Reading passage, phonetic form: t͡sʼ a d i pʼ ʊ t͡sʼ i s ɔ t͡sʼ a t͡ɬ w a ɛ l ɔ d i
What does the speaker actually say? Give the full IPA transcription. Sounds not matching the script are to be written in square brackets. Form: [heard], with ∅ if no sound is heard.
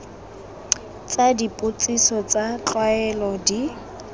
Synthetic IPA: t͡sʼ a d i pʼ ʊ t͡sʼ i s ɔ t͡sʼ a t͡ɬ w a ɛ l ɔ d i